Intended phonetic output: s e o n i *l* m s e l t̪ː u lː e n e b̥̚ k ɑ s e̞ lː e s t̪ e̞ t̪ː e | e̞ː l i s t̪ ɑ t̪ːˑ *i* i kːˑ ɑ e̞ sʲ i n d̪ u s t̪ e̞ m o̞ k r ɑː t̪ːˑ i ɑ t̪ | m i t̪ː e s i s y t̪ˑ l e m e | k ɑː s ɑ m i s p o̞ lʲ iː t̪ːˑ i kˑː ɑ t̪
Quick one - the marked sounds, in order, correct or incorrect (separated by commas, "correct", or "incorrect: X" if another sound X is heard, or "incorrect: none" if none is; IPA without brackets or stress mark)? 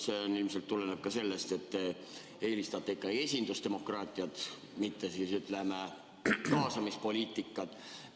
correct, incorrect: e